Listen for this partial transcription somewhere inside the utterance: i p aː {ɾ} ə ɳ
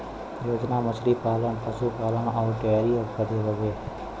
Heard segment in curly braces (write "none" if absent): l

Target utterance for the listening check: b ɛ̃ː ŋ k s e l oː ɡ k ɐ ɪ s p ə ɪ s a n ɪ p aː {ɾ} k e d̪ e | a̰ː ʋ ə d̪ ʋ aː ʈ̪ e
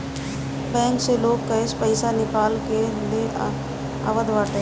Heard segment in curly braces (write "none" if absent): l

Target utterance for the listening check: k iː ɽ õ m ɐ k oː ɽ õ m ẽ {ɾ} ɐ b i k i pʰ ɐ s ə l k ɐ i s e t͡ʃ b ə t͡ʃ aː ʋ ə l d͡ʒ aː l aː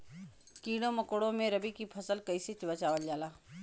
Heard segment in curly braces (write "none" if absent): ɾ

